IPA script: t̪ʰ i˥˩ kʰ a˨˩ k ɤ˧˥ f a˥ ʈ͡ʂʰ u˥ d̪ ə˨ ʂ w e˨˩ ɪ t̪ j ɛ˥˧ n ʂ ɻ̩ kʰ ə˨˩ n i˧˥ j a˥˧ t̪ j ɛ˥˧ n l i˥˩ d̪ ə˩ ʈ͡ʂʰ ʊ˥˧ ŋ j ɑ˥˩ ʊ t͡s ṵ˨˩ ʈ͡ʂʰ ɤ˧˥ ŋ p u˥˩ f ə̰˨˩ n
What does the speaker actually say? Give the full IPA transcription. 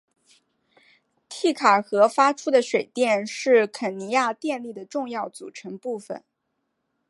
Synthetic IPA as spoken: t̪ʰ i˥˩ kʰ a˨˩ x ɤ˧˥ f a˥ ʈ͡ʂʰ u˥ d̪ ə˨ ʂ w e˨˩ ɪ t̪ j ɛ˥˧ n ʂ ɻ̩ kʰ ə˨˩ n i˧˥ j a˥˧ t̪ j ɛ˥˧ n l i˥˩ d̪ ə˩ ʈ͡ʂ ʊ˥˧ ŋ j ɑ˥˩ ʊ t͡s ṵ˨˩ ʈ͡ʂʰ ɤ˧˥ ŋ p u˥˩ f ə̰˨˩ n

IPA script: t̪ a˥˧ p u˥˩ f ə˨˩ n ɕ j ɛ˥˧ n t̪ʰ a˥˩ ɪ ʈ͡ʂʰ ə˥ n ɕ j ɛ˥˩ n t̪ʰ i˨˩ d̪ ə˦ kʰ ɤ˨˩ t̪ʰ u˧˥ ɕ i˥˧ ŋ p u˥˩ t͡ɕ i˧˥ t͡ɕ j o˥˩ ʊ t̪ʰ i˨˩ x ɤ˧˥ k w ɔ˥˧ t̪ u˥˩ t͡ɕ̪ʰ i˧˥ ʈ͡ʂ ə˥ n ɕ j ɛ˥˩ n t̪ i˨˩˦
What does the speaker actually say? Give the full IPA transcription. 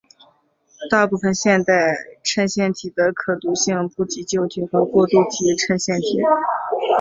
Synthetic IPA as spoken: t̪ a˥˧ p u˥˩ f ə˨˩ n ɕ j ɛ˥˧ n t̪ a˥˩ ɪ ʈ͡ʂʰ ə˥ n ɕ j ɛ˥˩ n t̪ʰ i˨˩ d̪ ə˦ kʰ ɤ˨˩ t̪ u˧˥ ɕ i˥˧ ŋ p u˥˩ t͡ɕ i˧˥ t͡ɕ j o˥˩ ʊ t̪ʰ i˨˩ x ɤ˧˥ k w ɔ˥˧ t̪ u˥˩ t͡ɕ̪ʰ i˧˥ ʈ͡ʂʰ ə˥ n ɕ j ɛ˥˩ n t̪ʰ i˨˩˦

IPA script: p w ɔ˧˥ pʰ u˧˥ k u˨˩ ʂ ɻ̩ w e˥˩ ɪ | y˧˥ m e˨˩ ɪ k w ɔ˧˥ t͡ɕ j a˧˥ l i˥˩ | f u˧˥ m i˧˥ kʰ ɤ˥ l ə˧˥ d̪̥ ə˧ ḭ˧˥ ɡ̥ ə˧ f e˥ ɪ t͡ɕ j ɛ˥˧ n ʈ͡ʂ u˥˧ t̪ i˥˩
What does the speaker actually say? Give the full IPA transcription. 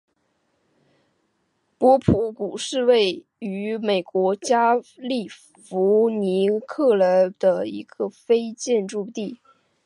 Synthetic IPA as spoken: p w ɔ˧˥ pʰ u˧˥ k u˨˩ ʂ ɻ̩ w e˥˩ ɪ | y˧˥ m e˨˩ ɪ k w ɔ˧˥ t͡ɕ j a˥ l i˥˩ | f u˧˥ n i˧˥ kʰ ɤ˥˩ l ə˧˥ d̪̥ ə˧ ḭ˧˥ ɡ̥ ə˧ f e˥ ɪ t͡ɕ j ɛ˥˧ n ʈ͡ʂ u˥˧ t̪ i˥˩

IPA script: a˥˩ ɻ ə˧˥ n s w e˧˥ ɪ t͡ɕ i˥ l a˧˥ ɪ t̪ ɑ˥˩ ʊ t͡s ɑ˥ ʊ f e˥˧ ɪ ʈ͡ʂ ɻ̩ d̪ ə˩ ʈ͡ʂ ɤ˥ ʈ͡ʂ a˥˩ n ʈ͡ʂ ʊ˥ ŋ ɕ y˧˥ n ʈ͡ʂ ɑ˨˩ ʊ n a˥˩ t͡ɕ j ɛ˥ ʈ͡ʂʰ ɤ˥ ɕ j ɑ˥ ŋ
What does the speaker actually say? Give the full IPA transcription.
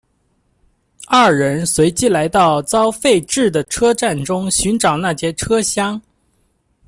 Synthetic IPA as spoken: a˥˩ ɻ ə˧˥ n s w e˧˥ ɪ t͡ɕ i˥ l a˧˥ ɪ t̪ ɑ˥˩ ʊ t͡s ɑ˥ ʊ f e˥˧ ɪ ʈ͡ʂ ɻ̩ d̪ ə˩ ʈ͡ʂʰ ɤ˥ ʈ͡ʂ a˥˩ n ʈ͡ʂ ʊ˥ ŋ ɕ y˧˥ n ʈ͡ʂ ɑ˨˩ ʊ n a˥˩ t͡ɕ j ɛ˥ ʈ͡ʂʰ ɤ˥ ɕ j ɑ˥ ŋ

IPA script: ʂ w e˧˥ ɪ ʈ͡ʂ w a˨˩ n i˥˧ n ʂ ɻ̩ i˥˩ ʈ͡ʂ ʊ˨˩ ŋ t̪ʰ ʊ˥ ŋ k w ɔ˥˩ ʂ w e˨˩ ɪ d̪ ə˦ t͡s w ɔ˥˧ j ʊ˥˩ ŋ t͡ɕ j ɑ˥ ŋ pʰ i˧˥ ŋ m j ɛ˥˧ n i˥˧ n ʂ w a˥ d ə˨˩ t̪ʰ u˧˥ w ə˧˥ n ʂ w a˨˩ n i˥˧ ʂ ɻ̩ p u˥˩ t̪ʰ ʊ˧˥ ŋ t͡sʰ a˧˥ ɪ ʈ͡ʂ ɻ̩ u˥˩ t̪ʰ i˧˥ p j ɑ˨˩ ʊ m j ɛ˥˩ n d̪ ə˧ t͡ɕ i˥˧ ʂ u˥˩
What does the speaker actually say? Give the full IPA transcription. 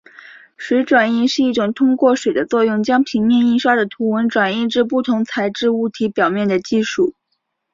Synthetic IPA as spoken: ʂ w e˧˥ ɪ ʈ͡ʂ w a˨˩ n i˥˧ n ʂ ɻ̩ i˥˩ ʈ͡ʂ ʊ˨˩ ŋ t̪ʰ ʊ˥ ŋ k w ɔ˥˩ ʂ w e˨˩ ɪ d̪ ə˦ t͡s w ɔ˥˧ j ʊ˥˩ ŋ t͡ɕ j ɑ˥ ŋ pʰ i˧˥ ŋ m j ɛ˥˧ n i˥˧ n ʂ w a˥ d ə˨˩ t̪ʰ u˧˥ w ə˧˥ n ʈ͡ʂ w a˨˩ n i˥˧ ʈ͡ʂ ɻ̩ p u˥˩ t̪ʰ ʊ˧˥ ŋ t͡sʰ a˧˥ ɪ ʈ͡ʂ ɻ̩ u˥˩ t̪ʰ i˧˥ p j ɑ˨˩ ʊ m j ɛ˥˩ n d̪ ə˩ t͡ɕ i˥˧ ʂ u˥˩

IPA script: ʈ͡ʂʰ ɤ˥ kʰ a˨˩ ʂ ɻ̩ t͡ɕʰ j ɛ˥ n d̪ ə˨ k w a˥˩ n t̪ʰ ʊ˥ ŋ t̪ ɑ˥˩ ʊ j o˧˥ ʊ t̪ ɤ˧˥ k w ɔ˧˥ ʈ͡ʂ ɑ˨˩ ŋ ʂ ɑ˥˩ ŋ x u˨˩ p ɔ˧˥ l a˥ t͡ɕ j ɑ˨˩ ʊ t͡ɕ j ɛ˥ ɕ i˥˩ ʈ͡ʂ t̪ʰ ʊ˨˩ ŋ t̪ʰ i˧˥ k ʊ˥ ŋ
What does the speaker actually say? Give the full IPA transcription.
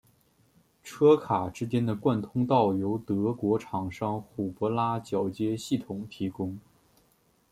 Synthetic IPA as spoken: ʈ͡ʂʰ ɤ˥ kʰ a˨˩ ʈ͡ʂ ɻ̩ t͡ɕ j ɛ˥ n d̪ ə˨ k w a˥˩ n t̪ʰ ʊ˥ ŋ t̪ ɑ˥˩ ʊ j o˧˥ ʊ t̪ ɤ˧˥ k w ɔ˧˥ ʈ͡ʂʰ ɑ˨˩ ŋ ʂ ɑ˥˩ ŋ x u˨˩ p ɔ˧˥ l a˥ t͡ɕ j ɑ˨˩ ʊ t͡ɕ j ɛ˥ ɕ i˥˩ t̪ʰ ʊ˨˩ ŋ t̪ʰ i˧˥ k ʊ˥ ŋ

